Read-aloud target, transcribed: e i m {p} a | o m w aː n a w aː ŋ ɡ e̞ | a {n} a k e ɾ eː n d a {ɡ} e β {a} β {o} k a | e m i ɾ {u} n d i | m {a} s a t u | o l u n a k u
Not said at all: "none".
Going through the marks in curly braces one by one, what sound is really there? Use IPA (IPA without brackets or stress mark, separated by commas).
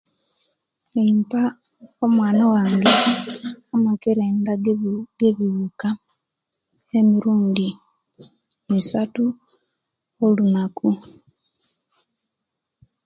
p, m, ɡ, i, u, uː, i